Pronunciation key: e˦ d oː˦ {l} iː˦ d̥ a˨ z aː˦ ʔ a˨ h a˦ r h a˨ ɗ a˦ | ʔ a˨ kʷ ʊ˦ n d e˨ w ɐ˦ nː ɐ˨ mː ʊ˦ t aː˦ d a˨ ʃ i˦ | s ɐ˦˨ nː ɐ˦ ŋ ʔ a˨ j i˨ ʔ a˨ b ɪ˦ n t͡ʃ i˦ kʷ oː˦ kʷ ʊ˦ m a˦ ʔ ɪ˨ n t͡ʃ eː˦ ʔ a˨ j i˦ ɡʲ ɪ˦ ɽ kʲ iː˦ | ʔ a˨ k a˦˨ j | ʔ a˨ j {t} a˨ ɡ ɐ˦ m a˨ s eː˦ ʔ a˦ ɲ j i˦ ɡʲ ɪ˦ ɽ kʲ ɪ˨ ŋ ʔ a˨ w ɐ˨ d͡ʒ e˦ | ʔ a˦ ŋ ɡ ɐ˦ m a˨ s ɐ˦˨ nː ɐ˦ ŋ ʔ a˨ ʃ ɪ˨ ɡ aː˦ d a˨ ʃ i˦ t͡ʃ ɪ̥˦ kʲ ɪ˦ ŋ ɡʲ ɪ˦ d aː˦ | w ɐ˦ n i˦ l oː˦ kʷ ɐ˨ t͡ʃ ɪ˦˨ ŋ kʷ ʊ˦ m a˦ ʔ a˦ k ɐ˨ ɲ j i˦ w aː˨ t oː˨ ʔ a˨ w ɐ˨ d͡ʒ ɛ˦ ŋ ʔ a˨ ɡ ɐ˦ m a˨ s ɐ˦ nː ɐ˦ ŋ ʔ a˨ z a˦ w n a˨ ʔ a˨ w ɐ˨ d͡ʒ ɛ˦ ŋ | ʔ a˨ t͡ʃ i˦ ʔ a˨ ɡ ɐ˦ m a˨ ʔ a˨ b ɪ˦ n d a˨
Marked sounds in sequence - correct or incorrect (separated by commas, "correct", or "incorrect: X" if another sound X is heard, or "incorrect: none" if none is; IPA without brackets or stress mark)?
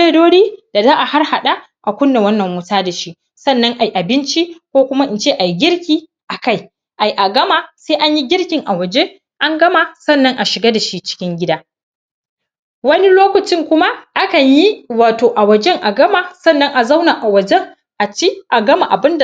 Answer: incorrect: ɽ, incorrect: ʔ